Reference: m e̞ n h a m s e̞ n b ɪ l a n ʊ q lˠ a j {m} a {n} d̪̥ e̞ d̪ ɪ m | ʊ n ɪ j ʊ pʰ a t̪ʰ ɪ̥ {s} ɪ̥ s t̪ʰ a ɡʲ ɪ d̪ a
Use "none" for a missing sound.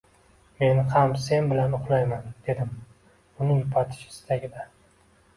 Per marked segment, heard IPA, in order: m, n, ʃ

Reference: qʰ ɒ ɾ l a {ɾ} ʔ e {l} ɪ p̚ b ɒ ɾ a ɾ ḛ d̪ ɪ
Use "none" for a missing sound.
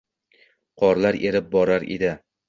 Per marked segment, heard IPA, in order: ɾ, ɾ

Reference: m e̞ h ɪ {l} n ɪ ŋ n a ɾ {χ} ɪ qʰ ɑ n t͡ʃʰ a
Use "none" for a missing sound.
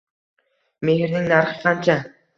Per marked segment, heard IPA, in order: ɾ, χ

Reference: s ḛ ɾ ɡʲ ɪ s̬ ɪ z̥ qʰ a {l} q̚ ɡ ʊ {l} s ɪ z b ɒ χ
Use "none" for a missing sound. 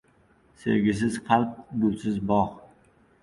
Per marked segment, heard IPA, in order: l, l

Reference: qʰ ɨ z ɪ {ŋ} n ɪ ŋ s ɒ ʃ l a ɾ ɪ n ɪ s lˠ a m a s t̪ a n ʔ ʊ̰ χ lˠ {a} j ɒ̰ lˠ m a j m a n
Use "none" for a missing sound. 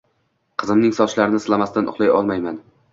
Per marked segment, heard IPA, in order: m, a

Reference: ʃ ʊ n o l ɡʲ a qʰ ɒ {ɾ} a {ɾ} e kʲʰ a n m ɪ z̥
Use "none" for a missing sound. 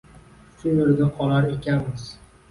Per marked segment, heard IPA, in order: l, ɾ

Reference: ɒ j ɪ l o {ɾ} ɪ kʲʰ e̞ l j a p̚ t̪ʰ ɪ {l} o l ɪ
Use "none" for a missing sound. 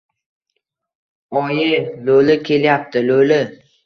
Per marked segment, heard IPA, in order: l, l

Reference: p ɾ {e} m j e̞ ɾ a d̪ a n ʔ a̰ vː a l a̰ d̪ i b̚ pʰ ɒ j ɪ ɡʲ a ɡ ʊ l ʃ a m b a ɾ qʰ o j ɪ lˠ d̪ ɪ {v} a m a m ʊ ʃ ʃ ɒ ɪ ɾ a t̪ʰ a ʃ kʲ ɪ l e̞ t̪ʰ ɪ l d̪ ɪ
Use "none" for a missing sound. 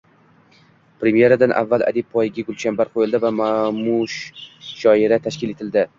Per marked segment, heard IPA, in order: e, v

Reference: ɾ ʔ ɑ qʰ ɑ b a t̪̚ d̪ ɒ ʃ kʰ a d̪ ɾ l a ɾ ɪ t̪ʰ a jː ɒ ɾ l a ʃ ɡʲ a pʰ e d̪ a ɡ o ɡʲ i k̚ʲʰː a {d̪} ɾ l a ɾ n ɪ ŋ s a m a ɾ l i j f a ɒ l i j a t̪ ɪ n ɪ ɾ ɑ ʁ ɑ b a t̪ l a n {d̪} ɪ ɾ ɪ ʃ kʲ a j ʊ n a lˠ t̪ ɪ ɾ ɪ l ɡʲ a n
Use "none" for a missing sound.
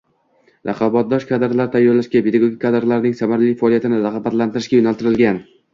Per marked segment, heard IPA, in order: d̪, t̪

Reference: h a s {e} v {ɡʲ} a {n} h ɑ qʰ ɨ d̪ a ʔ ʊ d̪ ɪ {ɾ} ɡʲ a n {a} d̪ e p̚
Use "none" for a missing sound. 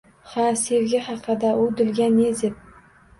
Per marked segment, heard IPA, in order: e, ɡʲ, none, l, e

